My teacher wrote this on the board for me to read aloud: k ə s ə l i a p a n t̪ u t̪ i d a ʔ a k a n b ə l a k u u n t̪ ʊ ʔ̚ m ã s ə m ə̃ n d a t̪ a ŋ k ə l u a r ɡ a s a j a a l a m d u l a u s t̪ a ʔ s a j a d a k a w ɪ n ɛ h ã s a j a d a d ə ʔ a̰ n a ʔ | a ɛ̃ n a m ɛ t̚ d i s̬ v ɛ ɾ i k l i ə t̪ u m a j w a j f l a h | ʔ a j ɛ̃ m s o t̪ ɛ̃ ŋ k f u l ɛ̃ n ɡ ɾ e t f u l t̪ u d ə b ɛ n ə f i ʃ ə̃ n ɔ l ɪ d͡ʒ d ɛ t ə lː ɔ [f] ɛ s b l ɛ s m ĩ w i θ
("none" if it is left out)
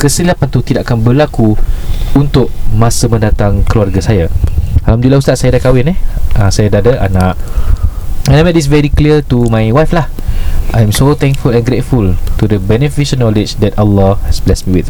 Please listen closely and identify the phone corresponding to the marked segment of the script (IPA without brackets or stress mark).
h